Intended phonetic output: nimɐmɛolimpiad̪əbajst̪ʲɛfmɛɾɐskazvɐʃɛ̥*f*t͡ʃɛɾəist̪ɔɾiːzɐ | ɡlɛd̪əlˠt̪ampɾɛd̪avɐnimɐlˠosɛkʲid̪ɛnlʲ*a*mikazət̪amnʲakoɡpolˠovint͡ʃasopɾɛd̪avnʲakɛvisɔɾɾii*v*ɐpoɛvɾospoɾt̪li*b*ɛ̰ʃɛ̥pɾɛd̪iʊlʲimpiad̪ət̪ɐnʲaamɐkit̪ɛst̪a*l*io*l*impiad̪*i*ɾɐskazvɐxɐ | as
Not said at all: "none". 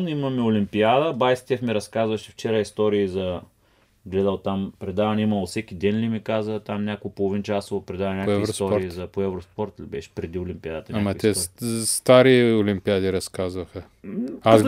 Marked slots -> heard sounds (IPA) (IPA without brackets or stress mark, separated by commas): f, i, z, b, ɾ, l, i